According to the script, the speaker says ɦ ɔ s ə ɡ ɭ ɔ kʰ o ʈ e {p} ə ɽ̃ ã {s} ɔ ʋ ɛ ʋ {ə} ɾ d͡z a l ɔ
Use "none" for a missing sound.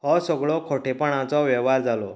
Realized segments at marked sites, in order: p, t͡s, a

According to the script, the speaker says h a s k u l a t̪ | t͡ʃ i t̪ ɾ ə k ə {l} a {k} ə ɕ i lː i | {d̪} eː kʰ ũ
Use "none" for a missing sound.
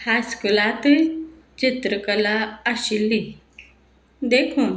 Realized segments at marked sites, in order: l, none, d̪

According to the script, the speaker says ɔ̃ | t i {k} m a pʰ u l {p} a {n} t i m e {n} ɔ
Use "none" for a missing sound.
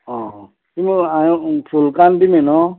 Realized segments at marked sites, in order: none, k, n, n

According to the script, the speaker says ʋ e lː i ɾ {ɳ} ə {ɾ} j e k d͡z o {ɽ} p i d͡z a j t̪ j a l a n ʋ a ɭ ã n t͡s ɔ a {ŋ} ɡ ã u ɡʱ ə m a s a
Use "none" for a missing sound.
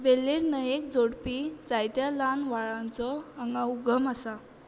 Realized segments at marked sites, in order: n, none, ɽ, ŋ

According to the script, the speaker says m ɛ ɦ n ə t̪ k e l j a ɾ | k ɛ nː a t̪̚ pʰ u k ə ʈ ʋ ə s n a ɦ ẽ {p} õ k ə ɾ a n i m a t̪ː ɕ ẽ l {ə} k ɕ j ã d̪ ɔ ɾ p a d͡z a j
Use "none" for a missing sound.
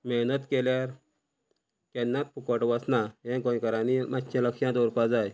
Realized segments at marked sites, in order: k, ə

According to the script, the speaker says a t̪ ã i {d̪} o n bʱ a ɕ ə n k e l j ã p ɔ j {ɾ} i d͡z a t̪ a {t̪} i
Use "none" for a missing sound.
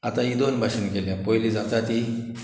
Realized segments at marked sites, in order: d̪, l, t̪

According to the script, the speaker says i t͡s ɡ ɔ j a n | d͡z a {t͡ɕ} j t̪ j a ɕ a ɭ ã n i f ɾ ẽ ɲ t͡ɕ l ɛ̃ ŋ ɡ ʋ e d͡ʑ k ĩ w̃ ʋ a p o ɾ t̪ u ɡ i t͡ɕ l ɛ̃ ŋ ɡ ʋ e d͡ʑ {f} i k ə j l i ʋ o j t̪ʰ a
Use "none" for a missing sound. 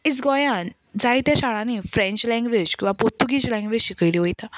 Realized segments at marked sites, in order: none, ɕ

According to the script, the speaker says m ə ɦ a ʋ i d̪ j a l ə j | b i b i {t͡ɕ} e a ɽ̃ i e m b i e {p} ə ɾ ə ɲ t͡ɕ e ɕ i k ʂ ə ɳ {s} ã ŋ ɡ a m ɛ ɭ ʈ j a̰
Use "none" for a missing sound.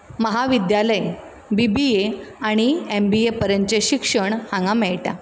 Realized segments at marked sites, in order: none, p, h

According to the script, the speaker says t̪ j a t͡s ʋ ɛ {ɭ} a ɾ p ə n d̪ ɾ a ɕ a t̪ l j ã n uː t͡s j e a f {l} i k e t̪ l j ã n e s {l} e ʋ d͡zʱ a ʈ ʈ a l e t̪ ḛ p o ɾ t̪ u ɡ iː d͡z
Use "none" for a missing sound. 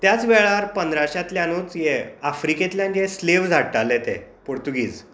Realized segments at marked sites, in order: ɭ, ɾ, l

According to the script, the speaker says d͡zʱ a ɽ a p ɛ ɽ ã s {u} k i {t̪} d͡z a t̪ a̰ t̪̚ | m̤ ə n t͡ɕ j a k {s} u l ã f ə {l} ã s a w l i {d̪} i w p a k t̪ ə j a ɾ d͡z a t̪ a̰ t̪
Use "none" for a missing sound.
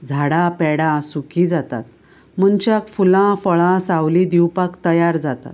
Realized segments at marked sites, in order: u, none, f, ɭ, d̪

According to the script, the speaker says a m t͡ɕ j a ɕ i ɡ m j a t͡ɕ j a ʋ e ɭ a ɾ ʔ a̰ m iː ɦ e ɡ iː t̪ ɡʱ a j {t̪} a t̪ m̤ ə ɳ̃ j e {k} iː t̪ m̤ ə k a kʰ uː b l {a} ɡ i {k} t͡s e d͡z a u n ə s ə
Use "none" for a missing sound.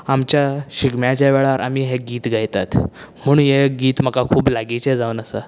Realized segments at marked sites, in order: t̪, ɡ, a, none

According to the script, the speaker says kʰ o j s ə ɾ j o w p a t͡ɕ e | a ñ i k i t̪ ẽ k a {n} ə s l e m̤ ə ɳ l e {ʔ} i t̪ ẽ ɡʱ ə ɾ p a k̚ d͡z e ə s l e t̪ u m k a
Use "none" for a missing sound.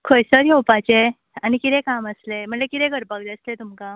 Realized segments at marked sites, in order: m, k

